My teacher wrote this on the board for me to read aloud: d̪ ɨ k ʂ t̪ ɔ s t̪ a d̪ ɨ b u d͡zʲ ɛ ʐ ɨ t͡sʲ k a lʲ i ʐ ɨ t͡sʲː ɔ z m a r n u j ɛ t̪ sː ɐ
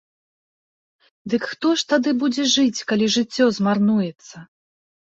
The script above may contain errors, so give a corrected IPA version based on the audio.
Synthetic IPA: d̪ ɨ k x t̪ ɔ ʂ t̪ a d̪ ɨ b u d͡zʲ ɛ ʐ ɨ t͡sʲ k a lʲ i ʐ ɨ t͡sʲː ɔ z m a r n u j ɛ t̪ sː ɐ